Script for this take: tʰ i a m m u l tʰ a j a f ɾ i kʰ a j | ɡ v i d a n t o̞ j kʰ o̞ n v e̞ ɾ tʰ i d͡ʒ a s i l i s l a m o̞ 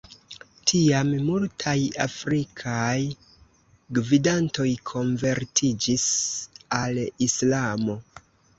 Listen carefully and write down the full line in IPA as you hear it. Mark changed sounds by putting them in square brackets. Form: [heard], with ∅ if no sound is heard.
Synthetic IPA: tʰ i a m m u l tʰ a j a f ɾ i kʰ a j | ɡ v i d a n t o̞ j kʰ o̞ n v e̞ ɾ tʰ i d͡ʒ [i] s [a] l i s l a m o̞